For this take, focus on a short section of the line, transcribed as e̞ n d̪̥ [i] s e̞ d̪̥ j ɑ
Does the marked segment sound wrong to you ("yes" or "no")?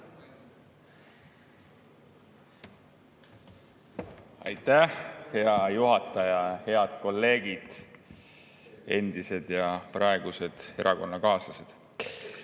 no